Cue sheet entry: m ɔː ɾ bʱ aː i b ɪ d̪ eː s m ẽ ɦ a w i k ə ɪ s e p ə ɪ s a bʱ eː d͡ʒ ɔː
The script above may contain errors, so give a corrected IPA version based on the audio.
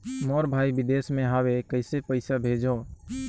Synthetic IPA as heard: m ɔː ɾ bʱ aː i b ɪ d̪ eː s m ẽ ɦ a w e k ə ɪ s e p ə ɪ s a bʱ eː d͡ʒ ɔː